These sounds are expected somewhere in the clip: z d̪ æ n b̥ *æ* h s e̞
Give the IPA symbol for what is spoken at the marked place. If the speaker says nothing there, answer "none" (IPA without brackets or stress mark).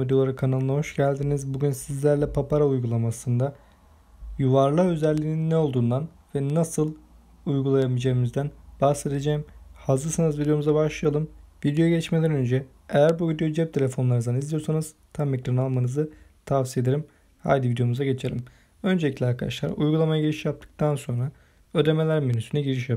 a